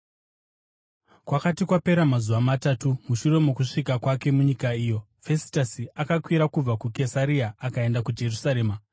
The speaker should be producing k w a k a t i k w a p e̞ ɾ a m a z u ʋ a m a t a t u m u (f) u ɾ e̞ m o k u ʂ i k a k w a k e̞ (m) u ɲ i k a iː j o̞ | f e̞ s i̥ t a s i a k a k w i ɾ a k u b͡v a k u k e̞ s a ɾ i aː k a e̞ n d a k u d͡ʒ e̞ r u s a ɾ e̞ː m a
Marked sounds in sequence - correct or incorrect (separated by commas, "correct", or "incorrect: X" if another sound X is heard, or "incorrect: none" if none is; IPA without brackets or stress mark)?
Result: incorrect: ʃ, correct